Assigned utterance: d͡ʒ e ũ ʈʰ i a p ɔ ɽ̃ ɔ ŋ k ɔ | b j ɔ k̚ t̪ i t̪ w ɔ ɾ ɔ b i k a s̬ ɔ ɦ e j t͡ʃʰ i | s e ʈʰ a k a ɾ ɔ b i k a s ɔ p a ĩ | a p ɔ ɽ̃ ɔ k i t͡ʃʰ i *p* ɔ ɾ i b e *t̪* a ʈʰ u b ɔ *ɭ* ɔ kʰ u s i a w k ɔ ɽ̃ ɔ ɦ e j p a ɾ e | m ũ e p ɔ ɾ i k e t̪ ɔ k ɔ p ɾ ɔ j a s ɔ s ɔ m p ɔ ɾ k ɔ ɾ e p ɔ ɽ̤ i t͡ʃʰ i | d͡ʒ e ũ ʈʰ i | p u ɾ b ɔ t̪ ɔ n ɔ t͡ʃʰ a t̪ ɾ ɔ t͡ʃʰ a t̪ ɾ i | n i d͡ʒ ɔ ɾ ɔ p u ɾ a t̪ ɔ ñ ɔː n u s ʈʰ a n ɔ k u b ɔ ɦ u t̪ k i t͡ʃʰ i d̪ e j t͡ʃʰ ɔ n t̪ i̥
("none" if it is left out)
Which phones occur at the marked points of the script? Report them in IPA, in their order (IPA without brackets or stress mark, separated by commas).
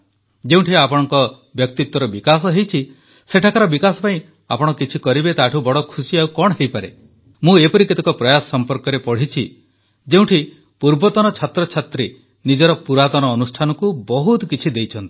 k, t̪, ɽ